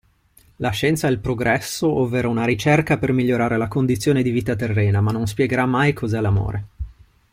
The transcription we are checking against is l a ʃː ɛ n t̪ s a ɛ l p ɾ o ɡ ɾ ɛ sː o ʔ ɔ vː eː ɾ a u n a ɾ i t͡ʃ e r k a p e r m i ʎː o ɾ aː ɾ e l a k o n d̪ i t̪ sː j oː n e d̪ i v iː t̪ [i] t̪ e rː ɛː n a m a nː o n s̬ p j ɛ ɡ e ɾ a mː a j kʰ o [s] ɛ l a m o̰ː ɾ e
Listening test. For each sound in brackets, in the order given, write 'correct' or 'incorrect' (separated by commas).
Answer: incorrect, incorrect